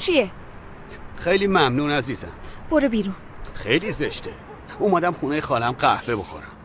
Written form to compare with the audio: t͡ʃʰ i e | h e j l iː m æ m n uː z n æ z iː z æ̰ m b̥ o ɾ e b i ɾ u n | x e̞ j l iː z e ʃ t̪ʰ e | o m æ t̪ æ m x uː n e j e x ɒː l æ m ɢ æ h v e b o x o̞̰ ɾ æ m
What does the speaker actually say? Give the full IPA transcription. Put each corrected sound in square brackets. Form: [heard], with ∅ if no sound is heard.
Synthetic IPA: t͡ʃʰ i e | [x] e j l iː m æ m n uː [∅] n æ z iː z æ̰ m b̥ o ɾ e b i ɾ u n | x e̞ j l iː z e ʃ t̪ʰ e | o m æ [d̪] æ m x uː n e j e x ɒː l æ m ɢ æ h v e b o x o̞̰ ɾ æ m